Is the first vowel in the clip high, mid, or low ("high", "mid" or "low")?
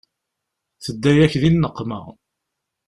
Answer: mid